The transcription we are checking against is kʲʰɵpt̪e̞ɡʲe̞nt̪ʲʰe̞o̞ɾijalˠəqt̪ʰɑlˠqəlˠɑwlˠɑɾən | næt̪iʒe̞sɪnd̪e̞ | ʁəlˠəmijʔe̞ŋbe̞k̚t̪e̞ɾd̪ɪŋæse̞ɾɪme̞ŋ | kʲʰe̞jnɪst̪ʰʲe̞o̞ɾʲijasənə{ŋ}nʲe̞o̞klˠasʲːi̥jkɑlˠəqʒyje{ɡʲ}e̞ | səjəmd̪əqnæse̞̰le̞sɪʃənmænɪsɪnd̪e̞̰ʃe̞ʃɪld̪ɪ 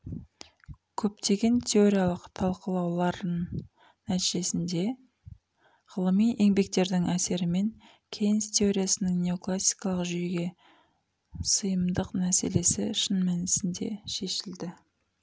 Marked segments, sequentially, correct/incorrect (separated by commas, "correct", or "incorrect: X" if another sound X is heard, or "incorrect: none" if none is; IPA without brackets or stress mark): correct, correct